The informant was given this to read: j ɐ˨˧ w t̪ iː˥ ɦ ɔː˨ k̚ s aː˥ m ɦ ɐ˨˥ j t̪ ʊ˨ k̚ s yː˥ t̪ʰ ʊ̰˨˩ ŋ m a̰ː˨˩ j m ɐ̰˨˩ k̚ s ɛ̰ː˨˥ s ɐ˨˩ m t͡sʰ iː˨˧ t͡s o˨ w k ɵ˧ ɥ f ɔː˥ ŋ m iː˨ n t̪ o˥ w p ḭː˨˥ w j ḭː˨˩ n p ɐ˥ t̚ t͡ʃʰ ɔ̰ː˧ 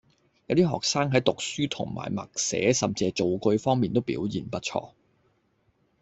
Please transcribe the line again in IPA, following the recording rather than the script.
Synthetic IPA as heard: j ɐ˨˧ w t̪ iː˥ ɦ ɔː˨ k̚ s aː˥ ŋ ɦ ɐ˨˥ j t̪ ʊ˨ k̚ s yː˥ t̪ʰ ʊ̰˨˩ ŋ m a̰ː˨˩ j m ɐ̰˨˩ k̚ s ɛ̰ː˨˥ s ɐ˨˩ m t͡s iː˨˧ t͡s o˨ w k ɵ˧ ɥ f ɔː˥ ŋ m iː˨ n t̪ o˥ w p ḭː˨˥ w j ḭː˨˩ n p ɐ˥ t̚ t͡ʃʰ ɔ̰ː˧